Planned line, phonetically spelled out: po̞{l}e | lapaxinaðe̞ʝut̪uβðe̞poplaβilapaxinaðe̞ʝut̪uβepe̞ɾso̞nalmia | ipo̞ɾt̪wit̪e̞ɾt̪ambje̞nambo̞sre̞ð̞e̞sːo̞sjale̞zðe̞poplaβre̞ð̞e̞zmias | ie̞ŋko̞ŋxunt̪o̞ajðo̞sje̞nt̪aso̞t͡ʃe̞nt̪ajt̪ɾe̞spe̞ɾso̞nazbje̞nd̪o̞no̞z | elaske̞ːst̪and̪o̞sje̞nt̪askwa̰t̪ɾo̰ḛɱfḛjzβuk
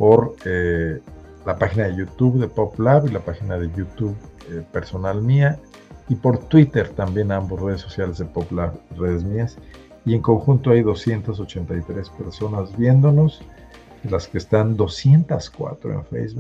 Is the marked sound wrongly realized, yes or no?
yes